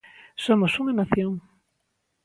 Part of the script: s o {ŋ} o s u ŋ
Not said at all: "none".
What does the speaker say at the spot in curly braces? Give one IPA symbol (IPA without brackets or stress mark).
m